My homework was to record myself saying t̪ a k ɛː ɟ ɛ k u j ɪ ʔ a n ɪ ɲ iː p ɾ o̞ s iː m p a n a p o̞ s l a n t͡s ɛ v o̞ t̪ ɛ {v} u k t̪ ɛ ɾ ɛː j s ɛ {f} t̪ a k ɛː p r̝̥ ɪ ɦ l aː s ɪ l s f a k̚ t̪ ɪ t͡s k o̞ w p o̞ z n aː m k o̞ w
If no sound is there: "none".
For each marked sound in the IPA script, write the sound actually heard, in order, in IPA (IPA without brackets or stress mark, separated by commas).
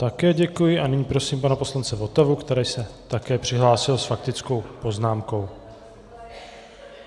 v, none